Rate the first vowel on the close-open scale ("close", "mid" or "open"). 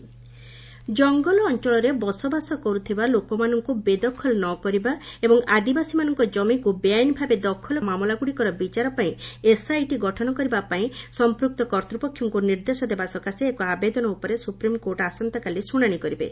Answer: mid